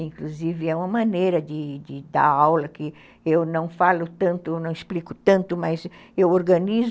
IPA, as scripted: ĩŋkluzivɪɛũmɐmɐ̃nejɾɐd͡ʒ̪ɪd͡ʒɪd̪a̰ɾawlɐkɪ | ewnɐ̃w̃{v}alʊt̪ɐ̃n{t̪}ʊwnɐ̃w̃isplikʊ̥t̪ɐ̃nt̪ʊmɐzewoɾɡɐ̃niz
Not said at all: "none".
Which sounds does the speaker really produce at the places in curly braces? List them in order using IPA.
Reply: f, t̪

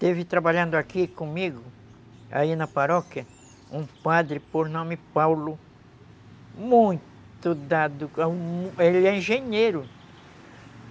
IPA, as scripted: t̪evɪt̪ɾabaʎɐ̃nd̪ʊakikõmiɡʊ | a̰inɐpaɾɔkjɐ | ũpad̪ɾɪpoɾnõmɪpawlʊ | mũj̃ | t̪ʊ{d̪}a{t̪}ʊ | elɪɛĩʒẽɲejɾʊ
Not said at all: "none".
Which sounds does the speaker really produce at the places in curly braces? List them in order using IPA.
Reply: d̪, d̪

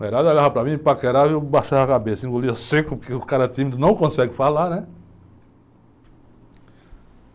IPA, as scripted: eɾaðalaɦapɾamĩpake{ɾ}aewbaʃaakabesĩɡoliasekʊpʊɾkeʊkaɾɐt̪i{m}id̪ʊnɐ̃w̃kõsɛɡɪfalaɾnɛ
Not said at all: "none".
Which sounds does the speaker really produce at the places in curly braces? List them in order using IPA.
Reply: ɾ, m

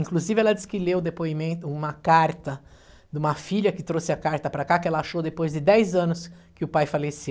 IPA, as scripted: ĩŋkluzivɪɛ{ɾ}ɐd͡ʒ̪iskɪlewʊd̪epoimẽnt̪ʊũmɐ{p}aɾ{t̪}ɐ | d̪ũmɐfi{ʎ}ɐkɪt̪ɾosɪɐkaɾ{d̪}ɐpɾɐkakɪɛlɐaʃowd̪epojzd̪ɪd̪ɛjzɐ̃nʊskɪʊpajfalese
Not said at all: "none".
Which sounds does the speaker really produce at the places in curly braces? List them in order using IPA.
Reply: l, k, t̪, ʎ, t̪

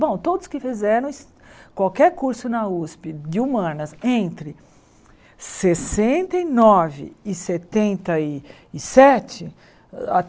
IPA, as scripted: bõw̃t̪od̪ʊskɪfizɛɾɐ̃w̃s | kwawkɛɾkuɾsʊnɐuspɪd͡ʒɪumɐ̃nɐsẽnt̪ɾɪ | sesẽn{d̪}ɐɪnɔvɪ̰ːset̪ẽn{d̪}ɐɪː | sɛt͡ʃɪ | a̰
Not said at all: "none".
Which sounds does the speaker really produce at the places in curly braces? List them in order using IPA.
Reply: t̪, t̪

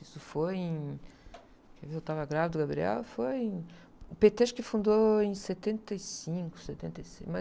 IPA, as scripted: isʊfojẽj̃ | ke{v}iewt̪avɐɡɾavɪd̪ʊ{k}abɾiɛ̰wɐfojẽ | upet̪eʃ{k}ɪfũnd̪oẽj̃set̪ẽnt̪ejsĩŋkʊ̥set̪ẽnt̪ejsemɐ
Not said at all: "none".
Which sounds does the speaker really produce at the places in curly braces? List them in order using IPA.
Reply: v, ɡ, k

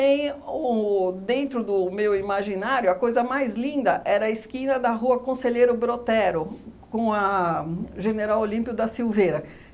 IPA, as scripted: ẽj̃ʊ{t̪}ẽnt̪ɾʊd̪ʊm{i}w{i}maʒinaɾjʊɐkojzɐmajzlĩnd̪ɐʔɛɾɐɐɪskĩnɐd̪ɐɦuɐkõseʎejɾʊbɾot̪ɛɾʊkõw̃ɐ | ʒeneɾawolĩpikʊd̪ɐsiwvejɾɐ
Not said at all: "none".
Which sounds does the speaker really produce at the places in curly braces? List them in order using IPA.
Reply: d̪, e, i

